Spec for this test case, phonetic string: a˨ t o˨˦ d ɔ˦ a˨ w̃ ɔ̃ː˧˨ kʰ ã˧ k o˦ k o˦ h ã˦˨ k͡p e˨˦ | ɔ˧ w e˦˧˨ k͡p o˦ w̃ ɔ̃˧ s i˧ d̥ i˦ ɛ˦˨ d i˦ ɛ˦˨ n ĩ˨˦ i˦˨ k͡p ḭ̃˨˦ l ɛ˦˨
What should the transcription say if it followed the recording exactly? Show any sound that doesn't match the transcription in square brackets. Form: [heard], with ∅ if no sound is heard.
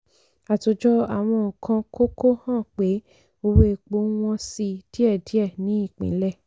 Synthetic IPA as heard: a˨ t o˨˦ [d͡ʒ] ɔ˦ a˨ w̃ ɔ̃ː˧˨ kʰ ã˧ k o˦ k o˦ h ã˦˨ k͡p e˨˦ | [o˧] w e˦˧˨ k͡p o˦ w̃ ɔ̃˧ s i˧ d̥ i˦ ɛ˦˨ d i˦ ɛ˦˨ n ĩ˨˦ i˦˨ k͡p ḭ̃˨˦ l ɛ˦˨